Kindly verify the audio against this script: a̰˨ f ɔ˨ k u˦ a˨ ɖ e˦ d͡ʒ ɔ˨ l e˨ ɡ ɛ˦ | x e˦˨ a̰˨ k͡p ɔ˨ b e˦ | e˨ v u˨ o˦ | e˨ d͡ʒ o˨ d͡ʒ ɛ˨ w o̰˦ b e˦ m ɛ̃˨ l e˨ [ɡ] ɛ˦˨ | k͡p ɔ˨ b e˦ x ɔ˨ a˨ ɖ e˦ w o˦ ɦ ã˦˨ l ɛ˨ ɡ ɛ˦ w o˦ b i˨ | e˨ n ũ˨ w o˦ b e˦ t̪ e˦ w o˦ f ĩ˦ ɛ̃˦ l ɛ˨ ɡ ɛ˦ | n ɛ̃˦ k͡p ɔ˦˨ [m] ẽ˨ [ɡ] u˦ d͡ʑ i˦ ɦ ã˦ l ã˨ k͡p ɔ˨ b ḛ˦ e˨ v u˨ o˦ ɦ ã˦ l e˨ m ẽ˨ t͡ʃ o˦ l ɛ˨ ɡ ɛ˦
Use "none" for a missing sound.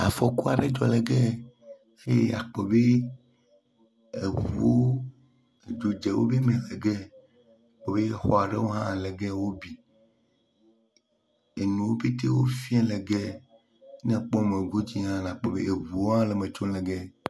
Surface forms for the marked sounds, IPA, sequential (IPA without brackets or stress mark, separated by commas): ɡ, m, ɡ